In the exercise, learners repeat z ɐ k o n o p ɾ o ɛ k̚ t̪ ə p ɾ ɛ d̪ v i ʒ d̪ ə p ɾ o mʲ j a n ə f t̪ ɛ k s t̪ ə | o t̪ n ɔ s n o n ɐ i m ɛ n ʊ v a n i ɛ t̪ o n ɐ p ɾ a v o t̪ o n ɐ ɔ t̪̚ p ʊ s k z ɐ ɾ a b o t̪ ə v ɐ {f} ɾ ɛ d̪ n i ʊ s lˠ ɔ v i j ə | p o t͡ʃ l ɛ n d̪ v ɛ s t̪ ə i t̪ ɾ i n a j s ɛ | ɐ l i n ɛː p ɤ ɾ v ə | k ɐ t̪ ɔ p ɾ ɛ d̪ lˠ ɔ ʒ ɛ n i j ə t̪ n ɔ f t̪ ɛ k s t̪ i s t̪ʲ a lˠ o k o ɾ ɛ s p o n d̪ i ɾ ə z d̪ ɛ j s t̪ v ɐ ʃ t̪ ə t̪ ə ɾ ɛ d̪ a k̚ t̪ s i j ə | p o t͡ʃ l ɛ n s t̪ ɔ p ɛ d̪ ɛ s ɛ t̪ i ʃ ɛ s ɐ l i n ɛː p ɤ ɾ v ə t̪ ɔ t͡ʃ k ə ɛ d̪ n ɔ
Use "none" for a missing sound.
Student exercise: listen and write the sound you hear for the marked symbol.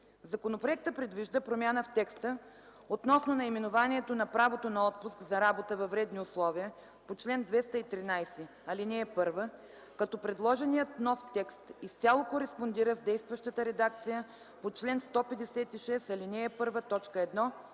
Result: v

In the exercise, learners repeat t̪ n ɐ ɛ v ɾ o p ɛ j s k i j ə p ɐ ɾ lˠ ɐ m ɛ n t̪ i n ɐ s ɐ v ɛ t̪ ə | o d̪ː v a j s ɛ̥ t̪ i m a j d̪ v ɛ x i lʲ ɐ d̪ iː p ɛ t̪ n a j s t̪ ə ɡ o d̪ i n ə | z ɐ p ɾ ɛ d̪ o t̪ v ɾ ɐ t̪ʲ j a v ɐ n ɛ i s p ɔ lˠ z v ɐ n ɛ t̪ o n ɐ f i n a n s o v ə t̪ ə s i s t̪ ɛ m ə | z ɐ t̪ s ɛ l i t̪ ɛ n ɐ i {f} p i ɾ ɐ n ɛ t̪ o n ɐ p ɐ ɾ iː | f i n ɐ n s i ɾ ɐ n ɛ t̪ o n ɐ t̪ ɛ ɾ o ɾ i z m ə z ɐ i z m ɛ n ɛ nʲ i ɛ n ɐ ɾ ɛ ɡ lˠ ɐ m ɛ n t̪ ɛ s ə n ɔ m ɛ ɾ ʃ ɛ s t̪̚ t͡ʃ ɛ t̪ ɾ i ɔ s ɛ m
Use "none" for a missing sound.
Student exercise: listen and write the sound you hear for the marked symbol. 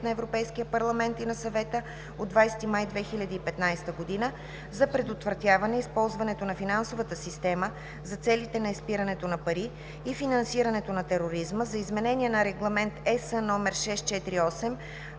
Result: s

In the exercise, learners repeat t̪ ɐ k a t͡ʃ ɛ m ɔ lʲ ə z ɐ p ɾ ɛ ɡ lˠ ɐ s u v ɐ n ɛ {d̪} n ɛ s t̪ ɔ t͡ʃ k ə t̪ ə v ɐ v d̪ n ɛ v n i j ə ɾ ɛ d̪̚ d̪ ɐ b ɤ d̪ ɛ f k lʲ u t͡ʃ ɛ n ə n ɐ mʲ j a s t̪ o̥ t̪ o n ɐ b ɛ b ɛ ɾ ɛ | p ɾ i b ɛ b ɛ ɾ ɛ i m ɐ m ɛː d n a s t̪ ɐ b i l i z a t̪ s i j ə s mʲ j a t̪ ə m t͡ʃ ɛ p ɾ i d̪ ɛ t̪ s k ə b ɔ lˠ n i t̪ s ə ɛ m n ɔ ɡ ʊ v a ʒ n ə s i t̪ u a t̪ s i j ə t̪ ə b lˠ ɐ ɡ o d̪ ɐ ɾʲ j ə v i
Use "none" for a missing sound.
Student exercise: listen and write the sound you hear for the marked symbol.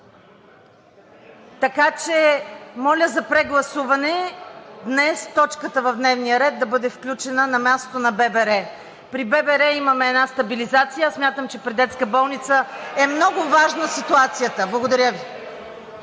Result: d̪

